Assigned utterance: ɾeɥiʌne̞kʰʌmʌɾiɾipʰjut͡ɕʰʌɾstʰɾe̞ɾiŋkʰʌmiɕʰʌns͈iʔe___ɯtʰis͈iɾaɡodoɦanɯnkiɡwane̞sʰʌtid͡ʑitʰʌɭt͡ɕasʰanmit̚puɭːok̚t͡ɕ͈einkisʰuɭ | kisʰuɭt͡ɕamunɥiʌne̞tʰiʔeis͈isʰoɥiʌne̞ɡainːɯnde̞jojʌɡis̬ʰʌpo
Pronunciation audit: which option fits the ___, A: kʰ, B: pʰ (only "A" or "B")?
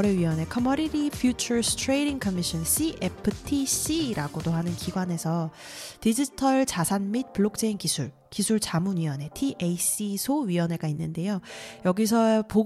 B